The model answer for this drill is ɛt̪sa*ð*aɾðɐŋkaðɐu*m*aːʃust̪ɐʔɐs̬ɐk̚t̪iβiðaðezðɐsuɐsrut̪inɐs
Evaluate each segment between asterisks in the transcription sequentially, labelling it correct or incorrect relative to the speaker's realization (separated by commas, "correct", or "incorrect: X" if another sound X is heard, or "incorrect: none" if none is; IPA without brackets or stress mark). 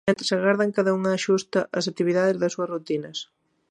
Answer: incorrect: ɣ, incorrect: ŋ